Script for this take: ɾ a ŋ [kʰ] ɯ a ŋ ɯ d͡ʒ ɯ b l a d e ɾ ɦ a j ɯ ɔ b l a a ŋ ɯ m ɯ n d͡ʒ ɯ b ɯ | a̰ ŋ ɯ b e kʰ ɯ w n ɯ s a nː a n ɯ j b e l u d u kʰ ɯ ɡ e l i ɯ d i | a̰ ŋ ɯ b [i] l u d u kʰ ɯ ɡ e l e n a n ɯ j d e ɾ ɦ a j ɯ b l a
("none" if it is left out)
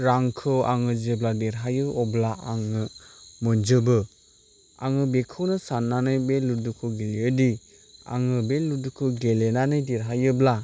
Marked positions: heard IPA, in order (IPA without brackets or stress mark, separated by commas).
kʰ, e